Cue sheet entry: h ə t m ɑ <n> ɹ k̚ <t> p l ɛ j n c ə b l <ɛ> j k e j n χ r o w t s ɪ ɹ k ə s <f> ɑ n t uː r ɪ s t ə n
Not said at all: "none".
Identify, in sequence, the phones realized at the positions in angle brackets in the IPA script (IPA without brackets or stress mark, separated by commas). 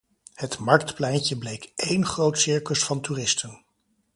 none, t, e, f